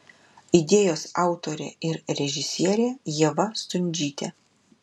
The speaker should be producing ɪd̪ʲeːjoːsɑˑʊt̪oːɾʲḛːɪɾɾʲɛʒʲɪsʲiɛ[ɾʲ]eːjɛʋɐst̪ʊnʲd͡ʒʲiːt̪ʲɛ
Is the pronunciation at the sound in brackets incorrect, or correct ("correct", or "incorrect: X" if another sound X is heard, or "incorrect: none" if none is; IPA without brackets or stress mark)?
correct